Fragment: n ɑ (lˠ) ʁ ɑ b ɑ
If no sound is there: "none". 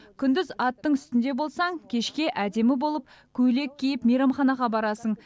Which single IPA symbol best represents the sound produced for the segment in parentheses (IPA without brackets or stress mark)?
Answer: none